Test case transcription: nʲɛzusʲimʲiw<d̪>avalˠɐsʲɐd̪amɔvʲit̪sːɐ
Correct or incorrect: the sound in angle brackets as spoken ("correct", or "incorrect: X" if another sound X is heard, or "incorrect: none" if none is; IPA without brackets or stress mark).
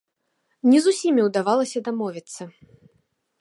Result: correct